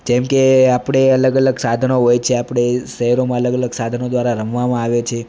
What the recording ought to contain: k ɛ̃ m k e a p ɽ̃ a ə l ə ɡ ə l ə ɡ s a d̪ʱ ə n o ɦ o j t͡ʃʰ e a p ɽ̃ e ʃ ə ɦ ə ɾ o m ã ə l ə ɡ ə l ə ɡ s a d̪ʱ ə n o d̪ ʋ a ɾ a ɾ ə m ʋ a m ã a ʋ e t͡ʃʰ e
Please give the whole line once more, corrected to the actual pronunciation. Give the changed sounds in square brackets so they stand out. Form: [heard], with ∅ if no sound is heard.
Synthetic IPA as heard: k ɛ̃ m k e a p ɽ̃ [e] ə l ə ɡ ə l ə ɡ s a d̪ʱ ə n o ɦ o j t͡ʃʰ e a p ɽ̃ e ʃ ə ɦ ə ɾ o m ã ə l ə ɡ ə l ə ɡ s a d̪ʱ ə n o d̪ ʋ a ɾ a ɾ ə m ʋ a m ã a ʋ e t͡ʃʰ e